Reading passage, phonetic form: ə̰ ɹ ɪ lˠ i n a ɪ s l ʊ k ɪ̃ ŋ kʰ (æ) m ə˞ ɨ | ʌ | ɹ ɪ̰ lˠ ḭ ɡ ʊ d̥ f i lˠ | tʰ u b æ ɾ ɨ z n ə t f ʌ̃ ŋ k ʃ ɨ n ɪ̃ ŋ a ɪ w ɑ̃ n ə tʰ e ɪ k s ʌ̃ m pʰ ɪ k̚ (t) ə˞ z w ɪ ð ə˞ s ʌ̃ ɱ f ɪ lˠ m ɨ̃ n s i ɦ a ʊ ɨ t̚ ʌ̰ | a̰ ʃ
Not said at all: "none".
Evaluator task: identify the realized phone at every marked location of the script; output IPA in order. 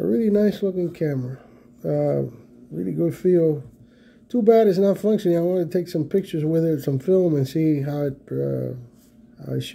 æ, t͡ʃ

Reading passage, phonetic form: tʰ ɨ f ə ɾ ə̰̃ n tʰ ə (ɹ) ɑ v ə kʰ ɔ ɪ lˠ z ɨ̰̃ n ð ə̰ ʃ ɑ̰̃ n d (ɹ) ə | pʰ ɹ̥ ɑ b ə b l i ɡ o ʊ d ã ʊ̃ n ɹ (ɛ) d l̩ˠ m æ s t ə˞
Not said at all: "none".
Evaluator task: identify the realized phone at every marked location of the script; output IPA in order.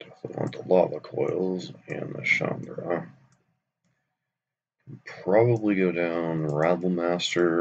l, ɹ, æ

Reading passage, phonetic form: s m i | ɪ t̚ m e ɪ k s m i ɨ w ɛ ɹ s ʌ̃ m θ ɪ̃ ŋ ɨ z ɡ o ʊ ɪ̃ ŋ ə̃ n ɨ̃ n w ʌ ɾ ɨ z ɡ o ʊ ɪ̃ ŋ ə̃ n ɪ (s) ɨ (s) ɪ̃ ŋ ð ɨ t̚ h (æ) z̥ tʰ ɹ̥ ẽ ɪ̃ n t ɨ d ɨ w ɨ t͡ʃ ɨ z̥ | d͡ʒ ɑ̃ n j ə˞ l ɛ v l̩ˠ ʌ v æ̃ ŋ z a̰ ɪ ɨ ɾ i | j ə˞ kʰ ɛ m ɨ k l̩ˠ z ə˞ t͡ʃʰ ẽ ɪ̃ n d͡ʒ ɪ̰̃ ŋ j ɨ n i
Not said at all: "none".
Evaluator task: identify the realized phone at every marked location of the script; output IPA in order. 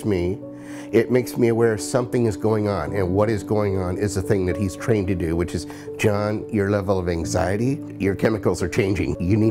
z, θ, i

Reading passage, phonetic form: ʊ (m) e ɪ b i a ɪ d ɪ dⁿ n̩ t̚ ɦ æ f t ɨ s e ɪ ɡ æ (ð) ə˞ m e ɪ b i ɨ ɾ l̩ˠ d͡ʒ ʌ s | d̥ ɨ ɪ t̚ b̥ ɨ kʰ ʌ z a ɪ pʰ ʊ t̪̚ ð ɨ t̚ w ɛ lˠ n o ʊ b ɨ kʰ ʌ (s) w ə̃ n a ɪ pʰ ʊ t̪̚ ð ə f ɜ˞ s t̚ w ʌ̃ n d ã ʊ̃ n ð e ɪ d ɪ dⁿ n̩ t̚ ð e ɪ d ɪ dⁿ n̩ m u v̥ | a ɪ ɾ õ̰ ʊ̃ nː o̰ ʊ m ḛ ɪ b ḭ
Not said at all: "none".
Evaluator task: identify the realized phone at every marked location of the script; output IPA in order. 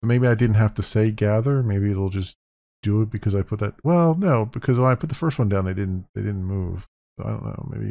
m, ð, z

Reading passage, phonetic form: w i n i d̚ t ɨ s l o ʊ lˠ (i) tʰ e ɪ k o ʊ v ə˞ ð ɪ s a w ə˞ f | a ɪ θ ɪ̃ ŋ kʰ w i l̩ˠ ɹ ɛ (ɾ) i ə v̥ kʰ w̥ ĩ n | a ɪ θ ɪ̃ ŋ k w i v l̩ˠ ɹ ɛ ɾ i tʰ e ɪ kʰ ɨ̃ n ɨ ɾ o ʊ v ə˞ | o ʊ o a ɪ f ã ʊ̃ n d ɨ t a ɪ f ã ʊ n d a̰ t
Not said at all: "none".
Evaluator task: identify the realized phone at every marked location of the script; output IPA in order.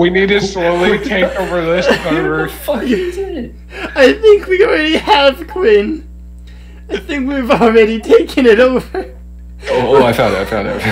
i, ɾ

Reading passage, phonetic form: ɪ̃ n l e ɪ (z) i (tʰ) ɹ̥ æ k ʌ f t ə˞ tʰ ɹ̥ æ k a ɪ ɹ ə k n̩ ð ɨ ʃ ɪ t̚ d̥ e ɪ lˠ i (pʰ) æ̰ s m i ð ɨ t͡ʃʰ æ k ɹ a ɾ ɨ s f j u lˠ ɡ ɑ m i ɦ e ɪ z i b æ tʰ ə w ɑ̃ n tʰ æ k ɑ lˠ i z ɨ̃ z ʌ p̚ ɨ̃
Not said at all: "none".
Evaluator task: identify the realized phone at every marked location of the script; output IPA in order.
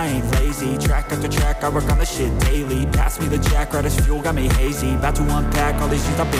z, tʰ, pʰ

